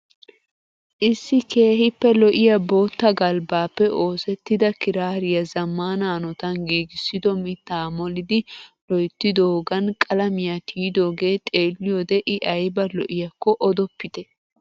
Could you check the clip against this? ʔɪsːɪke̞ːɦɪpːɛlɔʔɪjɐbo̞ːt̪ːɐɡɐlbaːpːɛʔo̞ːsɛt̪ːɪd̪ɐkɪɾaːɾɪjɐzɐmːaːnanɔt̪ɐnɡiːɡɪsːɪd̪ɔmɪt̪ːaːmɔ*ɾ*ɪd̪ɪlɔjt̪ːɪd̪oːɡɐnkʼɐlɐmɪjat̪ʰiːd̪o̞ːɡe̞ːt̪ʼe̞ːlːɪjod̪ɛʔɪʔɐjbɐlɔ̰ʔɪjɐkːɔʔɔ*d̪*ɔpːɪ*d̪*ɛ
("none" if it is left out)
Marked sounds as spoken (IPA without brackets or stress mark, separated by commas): l, d̪, t̪